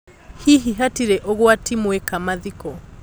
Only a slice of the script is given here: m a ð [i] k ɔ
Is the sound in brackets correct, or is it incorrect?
correct